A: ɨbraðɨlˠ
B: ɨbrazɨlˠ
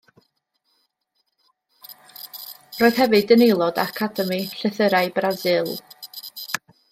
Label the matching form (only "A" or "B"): B